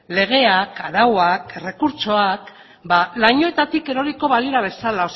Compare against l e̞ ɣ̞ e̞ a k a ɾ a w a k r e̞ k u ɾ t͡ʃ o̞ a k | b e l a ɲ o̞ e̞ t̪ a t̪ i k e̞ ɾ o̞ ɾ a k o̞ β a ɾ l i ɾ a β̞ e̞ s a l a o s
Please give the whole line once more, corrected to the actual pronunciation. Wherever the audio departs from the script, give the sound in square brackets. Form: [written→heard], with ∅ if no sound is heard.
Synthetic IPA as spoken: l e̞ ɣ̞ e̞ a k a ɾ a w a k r e̞ k u ɾ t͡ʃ o̞ a k | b [e→a] l a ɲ o̞ e̞ t̪ a t̪ i k e̞ ɾ o̞ ɾ [a→i] k o̞ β a [ɾ→∅] l i ɾ a β̞ e̞ s a l a o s